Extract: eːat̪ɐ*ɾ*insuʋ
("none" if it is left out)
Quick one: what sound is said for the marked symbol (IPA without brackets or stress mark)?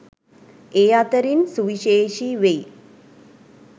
ɾ